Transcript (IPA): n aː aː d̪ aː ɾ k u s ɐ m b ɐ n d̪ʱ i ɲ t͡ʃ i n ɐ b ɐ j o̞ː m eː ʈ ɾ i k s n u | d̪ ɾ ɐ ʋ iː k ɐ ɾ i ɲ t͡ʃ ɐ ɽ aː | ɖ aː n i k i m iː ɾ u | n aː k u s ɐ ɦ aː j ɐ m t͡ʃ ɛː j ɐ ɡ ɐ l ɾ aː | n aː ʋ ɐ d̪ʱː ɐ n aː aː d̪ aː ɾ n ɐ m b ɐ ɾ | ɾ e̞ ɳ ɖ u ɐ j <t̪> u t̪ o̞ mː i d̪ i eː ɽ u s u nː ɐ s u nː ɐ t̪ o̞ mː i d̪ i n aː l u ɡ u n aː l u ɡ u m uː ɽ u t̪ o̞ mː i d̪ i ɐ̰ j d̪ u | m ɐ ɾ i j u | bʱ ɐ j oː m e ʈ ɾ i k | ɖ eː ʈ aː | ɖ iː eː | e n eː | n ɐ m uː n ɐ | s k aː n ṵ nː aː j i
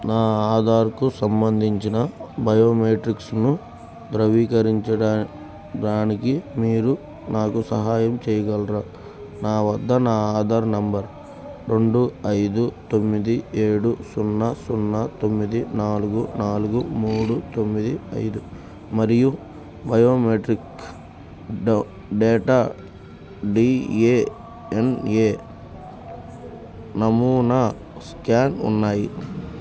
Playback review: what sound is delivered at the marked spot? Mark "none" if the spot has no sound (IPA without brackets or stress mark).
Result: d̪